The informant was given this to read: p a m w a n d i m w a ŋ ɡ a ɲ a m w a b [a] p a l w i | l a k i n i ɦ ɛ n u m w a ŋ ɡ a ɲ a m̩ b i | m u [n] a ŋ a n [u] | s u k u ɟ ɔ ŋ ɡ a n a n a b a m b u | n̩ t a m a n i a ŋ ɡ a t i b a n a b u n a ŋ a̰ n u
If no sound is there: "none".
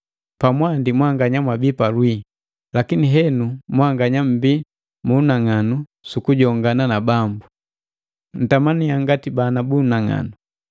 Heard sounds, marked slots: i, n, u

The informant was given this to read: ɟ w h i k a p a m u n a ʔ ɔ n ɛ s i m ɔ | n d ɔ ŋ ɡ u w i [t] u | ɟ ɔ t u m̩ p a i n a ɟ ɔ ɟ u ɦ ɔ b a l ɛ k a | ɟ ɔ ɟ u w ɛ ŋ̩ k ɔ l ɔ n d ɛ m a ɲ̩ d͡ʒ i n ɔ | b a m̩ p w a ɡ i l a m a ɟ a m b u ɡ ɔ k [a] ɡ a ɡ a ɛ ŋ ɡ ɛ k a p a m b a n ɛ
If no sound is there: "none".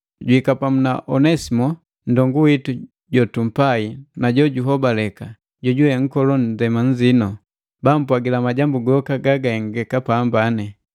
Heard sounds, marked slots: t, a

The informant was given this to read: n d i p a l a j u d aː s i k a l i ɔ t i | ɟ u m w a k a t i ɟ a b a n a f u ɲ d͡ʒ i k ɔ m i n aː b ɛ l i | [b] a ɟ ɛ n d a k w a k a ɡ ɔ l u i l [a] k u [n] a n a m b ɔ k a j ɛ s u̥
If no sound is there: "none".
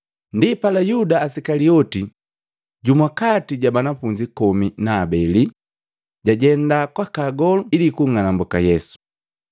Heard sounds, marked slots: ɟ, i, ŋ

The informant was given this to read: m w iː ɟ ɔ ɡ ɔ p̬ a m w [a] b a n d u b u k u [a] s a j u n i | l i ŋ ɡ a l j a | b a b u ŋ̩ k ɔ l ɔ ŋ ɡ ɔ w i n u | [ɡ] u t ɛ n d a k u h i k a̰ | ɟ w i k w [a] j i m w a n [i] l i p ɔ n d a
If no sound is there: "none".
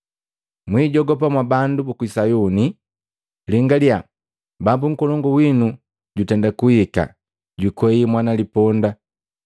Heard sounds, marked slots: a, i, ɟ, ɛ, a

